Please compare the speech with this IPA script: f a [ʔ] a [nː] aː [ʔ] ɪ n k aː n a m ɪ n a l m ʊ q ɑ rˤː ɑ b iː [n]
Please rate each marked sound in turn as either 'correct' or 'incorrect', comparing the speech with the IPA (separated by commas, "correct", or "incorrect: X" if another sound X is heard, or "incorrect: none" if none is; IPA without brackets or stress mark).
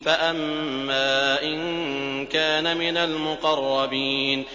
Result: correct, incorrect: mː, correct, correct